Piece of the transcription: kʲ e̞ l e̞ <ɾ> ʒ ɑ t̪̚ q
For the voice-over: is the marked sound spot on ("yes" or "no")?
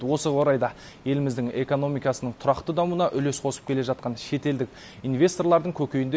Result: no